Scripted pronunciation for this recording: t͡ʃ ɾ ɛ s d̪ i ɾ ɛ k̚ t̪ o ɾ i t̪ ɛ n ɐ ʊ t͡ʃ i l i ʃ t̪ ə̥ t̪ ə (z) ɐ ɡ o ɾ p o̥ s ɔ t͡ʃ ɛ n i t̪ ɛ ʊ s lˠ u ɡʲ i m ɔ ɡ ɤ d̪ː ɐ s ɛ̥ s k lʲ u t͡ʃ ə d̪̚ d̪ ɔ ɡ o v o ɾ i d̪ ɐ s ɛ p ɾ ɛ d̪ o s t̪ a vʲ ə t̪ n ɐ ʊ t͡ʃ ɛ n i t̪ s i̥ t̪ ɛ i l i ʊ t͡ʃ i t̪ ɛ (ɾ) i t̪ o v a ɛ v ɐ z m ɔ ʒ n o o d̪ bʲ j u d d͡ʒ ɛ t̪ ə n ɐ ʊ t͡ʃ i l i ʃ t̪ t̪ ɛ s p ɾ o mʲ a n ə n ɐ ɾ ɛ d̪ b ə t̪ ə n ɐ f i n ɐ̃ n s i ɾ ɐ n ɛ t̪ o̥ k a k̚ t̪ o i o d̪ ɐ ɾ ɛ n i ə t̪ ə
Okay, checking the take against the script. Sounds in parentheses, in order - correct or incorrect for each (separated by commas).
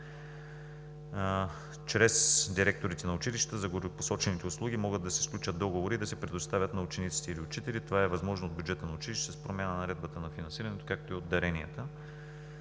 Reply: correct, incorrect